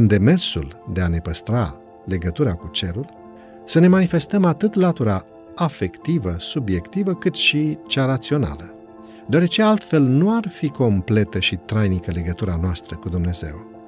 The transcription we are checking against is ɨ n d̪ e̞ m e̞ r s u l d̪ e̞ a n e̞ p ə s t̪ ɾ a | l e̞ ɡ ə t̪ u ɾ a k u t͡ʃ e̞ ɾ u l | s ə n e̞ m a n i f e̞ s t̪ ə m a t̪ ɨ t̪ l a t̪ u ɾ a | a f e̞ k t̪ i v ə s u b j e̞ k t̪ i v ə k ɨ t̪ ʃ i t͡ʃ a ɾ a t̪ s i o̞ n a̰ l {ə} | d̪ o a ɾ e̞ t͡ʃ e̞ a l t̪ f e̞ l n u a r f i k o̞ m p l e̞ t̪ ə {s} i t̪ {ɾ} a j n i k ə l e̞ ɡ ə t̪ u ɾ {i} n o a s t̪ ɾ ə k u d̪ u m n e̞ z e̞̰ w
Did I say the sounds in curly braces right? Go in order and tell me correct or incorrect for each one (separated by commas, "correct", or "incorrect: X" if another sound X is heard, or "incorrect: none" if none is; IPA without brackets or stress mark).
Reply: correct, incorrect: ʃ, correct, incorrect: a